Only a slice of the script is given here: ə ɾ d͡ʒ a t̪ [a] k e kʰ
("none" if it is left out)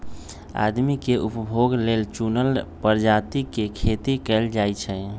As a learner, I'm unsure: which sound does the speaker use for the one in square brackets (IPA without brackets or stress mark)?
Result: i